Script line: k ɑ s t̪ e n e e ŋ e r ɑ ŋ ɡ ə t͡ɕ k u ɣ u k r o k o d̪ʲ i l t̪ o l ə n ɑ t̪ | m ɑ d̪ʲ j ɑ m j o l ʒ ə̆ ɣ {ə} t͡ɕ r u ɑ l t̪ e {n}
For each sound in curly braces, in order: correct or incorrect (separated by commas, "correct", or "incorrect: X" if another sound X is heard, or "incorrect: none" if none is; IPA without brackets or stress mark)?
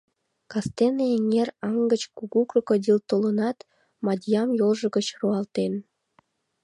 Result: correct, correct